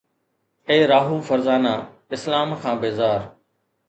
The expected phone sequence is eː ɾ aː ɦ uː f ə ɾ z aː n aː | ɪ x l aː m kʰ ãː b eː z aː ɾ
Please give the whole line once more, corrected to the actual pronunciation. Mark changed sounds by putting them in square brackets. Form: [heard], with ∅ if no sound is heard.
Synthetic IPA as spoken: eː ɾ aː ɦ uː f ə ɾ z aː n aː | ɪ [s] l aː m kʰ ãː b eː z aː ɾ